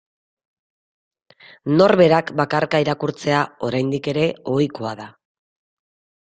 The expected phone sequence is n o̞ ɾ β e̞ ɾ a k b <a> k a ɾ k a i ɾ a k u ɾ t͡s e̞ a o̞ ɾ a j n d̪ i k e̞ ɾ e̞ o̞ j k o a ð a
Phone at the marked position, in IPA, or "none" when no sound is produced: a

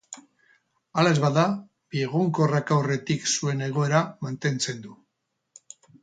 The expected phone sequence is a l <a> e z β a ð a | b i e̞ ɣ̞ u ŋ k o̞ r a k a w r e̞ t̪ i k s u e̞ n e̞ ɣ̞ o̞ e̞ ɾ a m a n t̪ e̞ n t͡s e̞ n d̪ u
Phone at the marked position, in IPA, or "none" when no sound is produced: a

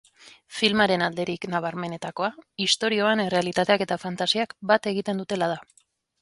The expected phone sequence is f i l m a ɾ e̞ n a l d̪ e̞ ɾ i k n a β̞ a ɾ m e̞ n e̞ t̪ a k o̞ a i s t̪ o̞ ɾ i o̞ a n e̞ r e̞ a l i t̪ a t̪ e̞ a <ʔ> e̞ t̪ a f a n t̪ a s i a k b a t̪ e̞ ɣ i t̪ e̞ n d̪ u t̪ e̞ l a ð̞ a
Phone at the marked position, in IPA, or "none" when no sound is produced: k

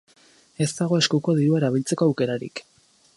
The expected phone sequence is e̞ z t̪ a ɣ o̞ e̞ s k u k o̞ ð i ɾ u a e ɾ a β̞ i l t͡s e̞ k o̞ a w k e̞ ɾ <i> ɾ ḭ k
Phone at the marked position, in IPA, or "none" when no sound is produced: a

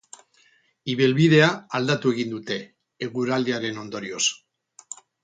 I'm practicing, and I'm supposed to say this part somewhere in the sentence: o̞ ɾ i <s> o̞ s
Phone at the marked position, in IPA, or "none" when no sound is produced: none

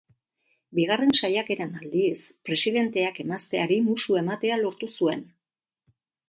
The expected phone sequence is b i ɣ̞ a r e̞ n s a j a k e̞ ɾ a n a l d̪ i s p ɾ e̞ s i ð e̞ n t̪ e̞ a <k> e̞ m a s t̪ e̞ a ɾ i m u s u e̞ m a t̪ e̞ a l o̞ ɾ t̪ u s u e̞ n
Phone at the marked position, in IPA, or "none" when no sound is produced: k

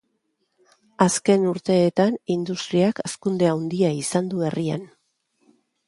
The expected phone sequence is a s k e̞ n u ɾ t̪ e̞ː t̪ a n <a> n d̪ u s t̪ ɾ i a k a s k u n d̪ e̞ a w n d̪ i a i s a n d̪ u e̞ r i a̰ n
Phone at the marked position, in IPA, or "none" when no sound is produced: i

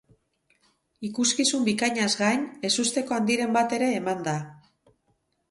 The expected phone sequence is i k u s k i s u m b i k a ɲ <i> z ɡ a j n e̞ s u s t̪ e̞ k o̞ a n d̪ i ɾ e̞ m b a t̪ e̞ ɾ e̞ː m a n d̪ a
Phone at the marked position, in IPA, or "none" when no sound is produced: a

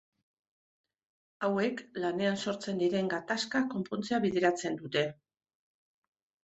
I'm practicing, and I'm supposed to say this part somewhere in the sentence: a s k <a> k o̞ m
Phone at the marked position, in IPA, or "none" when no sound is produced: a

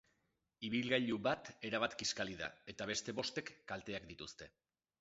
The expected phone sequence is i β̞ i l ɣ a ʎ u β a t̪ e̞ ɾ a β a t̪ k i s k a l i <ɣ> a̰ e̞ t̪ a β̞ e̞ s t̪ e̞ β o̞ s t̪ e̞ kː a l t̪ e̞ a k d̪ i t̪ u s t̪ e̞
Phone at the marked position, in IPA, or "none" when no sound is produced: ð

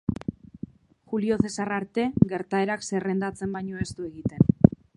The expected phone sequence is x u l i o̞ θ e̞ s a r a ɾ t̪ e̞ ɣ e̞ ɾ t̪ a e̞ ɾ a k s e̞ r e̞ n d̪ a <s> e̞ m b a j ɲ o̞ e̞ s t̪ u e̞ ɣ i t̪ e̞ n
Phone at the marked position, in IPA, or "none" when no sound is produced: t͡s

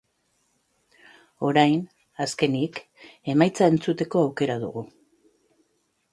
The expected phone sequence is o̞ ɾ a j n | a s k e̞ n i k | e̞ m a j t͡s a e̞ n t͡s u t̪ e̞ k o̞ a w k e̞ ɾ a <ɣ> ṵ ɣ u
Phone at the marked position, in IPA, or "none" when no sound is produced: ð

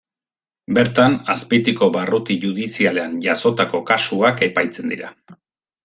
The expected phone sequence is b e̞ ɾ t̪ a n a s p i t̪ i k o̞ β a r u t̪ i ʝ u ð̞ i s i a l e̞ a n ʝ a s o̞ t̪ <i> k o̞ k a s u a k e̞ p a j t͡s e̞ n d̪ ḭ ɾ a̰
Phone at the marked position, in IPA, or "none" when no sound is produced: a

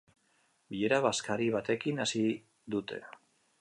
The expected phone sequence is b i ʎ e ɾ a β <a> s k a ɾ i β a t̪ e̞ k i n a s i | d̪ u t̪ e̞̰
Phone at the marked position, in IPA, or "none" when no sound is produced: a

